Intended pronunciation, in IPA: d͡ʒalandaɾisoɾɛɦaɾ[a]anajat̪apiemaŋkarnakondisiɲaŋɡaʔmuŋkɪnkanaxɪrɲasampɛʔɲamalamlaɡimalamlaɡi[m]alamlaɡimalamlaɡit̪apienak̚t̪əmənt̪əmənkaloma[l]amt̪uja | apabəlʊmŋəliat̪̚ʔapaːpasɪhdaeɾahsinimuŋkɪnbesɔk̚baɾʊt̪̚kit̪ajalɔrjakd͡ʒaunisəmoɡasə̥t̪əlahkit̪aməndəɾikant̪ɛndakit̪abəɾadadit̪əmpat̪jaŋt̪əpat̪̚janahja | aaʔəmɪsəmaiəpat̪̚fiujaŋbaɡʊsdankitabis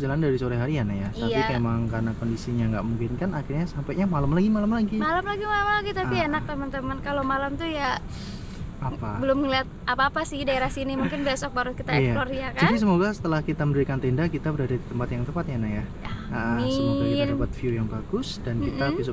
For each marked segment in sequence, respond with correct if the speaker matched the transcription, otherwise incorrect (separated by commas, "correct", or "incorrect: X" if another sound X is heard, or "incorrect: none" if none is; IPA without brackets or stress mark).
incorrect: i, correct, correct